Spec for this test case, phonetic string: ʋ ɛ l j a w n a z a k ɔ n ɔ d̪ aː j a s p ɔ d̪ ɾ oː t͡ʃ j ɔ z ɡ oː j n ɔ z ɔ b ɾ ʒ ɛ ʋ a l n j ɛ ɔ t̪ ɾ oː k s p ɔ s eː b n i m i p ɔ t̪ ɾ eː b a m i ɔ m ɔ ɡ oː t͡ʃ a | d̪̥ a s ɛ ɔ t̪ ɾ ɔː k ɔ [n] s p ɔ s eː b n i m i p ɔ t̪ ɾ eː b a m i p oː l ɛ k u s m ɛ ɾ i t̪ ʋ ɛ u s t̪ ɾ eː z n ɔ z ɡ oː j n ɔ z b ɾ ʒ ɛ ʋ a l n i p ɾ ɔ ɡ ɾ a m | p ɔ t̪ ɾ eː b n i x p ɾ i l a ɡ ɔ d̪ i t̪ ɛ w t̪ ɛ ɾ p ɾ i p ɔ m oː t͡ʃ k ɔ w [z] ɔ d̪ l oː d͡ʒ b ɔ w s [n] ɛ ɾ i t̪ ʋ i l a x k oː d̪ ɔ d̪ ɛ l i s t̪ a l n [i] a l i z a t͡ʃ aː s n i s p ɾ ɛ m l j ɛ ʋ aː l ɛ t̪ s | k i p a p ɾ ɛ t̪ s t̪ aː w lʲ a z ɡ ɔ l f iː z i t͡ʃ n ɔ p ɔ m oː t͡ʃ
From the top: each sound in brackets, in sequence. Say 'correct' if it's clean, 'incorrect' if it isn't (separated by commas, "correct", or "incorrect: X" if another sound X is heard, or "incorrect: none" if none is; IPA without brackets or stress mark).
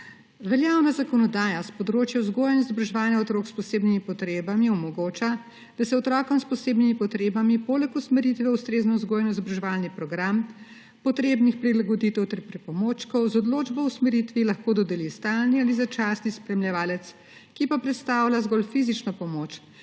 incorrect: m, correct, incorrect: m, correct